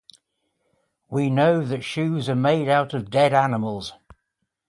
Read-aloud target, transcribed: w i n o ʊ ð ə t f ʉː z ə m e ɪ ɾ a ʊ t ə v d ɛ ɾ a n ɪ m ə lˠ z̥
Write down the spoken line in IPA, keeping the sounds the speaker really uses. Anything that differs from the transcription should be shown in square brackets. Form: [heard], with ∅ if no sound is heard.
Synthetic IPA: w i n o ʊ ð ə t [ʃ] ʉː z ə m e ɪ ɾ a ʊ t ə v d ɛ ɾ a n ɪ m ə lˠ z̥